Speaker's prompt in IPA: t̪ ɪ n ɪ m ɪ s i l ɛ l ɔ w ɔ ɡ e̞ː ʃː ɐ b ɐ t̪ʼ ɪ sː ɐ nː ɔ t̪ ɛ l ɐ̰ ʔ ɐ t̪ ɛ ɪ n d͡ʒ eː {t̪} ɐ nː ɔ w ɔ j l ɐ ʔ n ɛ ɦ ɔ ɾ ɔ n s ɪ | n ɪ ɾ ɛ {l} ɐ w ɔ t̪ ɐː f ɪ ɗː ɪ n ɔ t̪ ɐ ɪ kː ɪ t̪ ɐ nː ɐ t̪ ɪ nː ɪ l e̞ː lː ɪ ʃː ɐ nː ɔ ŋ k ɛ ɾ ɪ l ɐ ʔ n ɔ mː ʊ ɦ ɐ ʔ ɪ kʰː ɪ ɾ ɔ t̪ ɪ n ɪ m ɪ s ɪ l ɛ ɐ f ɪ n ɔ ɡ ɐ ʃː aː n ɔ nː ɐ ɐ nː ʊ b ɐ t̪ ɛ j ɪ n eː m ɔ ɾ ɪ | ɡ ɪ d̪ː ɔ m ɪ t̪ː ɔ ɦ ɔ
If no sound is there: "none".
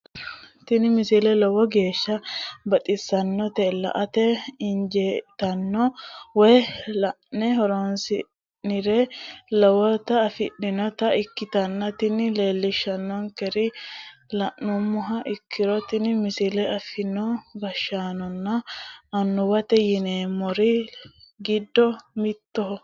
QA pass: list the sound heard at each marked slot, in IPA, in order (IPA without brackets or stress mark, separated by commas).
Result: t̪, l